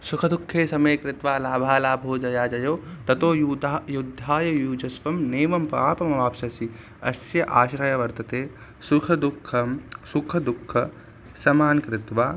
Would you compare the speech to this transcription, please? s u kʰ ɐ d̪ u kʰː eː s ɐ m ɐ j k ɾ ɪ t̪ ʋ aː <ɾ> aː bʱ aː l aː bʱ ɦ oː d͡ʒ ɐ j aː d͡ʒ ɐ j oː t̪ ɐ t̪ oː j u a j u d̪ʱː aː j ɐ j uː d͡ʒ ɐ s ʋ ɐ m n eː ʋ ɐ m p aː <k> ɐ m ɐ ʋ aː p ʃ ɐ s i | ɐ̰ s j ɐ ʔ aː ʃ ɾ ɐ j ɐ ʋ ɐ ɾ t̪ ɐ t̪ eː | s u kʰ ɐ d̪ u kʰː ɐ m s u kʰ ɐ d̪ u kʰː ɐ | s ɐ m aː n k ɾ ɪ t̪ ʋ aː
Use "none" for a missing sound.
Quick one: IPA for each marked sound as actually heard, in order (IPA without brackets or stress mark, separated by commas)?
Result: l, p